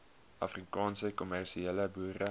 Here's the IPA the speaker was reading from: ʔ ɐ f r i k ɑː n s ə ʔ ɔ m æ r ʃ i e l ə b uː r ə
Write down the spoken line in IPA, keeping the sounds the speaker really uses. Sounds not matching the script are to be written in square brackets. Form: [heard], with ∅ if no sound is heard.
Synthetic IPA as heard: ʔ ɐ f r i k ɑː n s ə [k] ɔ m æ r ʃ i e l ə b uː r ə

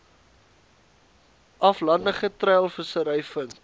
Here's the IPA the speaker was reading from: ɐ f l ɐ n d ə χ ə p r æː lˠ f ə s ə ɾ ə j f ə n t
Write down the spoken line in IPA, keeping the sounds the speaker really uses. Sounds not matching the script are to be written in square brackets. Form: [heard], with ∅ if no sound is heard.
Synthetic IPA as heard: ɐ f l ɐ n d ə χ ə [t] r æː lˠ f ə s ə ɾ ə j f ə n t

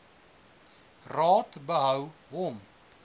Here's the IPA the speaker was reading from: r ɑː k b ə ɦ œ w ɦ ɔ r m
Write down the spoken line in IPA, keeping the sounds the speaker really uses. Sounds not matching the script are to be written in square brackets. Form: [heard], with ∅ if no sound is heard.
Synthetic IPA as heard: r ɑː [t] b ə ɦ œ w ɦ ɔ [∅] m

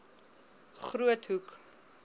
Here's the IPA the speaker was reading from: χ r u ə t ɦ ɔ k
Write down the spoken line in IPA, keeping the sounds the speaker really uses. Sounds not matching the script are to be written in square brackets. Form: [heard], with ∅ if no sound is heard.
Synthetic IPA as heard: χ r u ə t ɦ [u] k

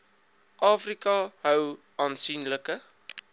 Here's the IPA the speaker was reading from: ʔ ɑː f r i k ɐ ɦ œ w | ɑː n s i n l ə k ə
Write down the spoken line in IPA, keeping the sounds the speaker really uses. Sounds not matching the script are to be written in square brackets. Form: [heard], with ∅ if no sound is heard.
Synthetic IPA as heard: ʔ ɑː f r i k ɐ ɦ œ w | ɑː n s i n l ə k ə

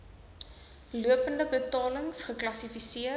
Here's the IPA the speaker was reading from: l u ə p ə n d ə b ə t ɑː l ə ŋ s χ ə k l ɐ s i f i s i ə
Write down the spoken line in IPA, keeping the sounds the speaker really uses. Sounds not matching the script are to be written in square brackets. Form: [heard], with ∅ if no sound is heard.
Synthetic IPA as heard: l u ə p ə n d ə b ə t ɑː l ə ŋ s χ ə k l ɐ s i f i s i ə

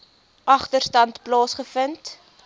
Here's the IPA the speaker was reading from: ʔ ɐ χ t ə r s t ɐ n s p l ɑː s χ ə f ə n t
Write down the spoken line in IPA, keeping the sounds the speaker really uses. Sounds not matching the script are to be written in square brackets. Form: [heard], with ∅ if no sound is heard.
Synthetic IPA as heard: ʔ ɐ χ t ə r s t ɐ n [t] p l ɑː s χ ə f ə n t

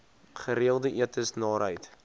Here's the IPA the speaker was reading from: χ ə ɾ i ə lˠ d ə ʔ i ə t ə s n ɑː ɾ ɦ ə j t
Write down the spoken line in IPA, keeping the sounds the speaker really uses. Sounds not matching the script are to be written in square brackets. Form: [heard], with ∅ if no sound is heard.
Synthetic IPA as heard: χ ə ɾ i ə lˠ d ə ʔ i ə t ə s n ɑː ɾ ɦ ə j t

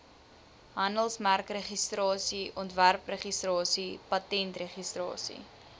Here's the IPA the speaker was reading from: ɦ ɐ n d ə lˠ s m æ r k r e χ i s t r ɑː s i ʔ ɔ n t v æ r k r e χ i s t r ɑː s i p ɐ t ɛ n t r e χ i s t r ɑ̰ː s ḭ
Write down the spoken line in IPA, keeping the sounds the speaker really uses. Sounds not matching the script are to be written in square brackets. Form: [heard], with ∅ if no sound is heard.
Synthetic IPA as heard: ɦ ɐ n d ə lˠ s m æ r k r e χ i s t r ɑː s i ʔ ɔ n t v æ r [p] r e χ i s t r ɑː s i p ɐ t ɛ n t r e χ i s t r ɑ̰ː s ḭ

